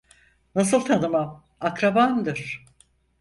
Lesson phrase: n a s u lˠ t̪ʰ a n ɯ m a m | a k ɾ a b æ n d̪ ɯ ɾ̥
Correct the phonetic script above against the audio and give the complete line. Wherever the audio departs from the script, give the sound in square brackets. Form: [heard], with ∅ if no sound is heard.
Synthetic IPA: n a s [ɯ] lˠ t̪ʰ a n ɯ m a m | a k ɾ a b [a] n d̪ ɯ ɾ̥